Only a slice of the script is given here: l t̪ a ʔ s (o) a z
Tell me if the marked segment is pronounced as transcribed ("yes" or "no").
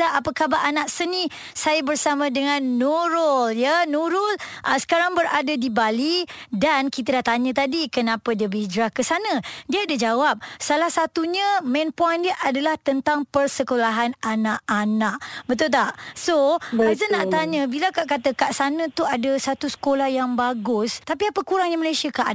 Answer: yes